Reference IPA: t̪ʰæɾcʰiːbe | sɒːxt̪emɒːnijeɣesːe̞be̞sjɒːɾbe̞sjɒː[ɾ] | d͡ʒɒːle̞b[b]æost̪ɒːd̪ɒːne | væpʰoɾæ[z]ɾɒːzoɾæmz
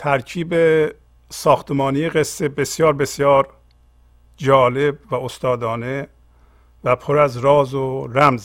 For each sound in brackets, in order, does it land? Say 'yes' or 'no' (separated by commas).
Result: yes, no, yes